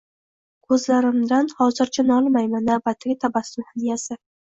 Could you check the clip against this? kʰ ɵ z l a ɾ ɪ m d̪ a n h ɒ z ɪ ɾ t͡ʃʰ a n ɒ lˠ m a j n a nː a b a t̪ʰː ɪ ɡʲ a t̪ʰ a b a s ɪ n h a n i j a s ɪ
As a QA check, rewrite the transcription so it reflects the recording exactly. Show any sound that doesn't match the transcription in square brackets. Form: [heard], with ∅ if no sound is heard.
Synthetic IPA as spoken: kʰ ɵ z l a ɾ ɪ m d̪ a n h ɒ z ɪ ɾ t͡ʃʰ a n ɒ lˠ m a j [m] a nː a b a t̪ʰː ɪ ɡʲ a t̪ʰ a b a s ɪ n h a n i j a s ɪ